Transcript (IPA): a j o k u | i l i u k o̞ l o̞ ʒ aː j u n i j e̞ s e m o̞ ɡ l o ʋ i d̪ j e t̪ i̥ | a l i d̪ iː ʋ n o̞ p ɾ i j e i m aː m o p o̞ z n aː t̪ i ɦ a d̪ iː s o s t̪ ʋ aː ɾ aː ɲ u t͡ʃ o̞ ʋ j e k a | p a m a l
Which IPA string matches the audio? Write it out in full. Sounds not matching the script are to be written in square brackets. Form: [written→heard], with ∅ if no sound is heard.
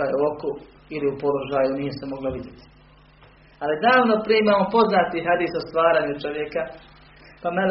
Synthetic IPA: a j o k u | i l i u [k→p] o̞ l o̞ ʒ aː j u n i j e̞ s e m o̞ ɡ l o ʋ i d̪ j e t̪ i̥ | a l i d̪ [iː→aː] ʋ n o̞ p ɾ i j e i m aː m o p o̞ z n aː t̪ i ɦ a d̪ iː s o s t̪ ʋ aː ɾ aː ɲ u t͡ʃ o̞ ʋ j e k a | p a m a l